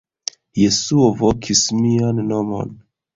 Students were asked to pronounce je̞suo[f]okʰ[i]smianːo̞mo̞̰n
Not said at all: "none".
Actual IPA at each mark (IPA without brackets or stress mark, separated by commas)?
v, i